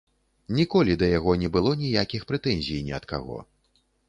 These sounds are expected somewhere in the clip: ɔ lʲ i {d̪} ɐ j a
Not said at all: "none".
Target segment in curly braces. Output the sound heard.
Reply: d̪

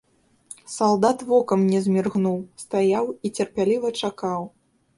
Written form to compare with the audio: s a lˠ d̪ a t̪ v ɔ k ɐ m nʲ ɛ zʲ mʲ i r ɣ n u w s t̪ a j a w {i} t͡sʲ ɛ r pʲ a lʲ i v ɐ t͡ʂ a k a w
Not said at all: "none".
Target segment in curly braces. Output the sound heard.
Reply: i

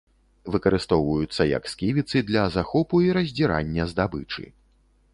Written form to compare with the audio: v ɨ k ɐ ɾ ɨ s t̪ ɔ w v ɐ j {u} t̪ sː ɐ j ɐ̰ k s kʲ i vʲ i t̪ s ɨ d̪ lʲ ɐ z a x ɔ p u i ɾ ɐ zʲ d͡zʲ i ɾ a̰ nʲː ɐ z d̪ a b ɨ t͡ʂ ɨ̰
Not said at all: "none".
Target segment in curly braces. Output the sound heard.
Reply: u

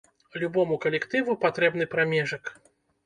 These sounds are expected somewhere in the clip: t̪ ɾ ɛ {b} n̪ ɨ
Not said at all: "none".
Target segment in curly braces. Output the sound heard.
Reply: b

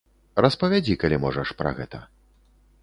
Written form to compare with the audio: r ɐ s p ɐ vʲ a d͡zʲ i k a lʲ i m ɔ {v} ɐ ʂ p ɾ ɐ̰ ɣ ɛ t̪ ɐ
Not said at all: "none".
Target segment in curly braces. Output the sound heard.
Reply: ʐ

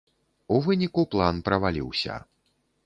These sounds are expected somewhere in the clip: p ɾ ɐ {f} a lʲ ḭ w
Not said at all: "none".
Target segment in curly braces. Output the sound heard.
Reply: v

